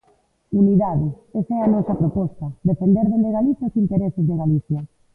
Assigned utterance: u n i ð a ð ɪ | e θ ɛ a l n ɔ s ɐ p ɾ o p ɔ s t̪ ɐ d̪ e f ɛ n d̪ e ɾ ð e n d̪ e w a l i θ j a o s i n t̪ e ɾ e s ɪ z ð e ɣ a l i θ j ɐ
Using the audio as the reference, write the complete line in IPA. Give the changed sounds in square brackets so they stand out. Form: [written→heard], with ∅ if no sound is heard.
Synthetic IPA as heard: u n i ð a ð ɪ | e [θ→s] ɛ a [l→∅] n ɔ s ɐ p ɾ o p ɔ s t̪ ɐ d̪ e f [ɛ→e] n d̪ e ɾ ð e n d̪ e [w→ɣ] a l i θ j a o s i n t̪ e ɾ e s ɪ z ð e ɣ a l i θ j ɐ